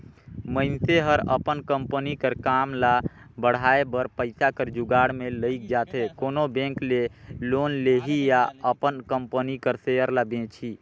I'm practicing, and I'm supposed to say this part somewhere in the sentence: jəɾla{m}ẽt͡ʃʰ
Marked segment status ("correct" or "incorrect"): incorrect